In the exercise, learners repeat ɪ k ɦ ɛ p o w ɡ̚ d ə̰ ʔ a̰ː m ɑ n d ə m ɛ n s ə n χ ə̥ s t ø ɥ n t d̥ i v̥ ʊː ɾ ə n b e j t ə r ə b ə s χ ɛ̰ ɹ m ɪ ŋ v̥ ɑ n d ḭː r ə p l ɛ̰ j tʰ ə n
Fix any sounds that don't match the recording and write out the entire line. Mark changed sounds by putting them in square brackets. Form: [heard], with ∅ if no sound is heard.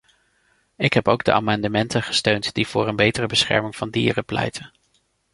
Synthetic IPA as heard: ɪ k ɦ ɛ p o w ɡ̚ d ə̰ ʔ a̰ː m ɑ n d ə m ɛ n [t] ə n χ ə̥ s t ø ɥ n t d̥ i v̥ ʊː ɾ ə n b e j t ə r ə b ə s χ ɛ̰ ɹ m ɪ ŋ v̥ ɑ n d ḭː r ə p l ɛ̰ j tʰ ə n